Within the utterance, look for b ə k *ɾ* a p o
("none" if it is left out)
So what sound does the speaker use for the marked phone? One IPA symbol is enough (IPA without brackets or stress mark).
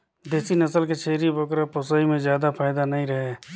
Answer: ɾ